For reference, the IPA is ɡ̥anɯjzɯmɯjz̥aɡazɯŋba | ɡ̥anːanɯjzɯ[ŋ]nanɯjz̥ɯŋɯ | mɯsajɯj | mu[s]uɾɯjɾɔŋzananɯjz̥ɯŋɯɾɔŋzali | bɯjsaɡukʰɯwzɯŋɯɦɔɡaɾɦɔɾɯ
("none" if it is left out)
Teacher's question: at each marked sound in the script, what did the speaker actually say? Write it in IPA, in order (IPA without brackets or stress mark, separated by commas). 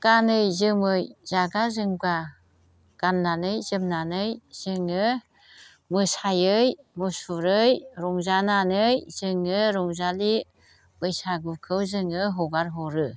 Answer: m, s